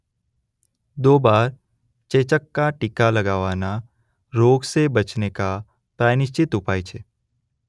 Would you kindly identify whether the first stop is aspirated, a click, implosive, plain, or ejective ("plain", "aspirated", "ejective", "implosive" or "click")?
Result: plain